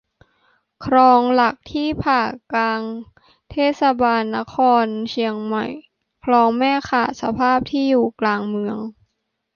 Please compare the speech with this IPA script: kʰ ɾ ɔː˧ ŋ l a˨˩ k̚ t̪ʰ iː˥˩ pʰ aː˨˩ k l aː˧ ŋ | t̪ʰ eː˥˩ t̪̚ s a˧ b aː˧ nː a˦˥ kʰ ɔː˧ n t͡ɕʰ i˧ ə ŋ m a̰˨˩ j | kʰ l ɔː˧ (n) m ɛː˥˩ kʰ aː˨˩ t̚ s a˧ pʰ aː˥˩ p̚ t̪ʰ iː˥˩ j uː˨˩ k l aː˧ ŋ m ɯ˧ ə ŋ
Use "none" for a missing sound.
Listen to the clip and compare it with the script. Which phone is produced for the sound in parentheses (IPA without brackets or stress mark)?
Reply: ŋ